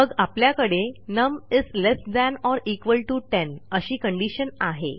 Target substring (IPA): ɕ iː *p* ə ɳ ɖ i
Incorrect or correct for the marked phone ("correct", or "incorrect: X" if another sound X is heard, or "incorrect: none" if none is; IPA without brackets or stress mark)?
incorrect: k